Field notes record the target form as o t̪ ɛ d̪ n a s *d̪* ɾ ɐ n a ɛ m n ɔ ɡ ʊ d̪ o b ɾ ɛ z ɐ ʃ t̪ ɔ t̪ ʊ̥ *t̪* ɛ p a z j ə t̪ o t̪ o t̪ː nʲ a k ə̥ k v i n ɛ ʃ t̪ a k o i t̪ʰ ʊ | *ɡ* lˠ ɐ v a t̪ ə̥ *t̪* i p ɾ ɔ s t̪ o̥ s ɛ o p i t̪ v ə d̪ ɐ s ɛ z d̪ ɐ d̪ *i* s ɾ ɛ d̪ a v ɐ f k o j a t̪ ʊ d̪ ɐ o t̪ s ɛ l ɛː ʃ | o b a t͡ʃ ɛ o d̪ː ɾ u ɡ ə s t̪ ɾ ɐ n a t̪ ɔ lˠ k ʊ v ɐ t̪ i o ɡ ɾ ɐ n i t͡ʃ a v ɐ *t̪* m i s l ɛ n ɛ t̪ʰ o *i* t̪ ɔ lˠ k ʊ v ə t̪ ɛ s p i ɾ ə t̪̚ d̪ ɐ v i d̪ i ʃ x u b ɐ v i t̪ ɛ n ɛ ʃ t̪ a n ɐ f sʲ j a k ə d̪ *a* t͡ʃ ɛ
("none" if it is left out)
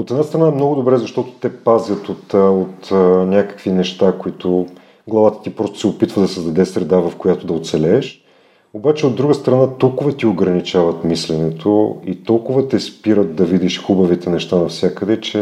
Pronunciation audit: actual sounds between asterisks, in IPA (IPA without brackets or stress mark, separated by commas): t̪, t̪, ɡ, t̪, ɛ, t̪, i, ɛ